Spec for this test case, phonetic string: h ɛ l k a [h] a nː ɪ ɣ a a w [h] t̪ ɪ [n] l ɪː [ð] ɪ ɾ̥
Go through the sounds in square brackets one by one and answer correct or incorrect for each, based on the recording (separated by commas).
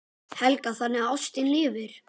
incorrect, incorrect, correct, incorrect